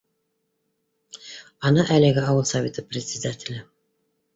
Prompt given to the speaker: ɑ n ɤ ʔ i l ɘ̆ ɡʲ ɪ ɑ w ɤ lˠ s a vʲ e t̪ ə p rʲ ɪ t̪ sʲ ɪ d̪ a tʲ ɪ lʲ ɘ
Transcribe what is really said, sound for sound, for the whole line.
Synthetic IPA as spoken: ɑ n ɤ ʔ æ l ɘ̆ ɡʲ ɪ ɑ w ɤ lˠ s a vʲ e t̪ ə p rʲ ɪ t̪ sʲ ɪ d̪ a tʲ ɪ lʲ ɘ